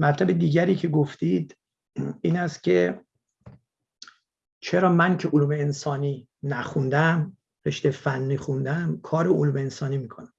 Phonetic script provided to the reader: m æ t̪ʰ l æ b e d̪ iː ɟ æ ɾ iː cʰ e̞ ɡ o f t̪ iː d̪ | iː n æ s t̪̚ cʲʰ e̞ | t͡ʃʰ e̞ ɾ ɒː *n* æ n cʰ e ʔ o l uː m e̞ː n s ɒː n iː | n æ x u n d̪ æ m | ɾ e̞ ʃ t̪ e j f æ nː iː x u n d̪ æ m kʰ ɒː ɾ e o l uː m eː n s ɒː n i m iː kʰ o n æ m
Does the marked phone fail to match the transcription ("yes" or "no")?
yes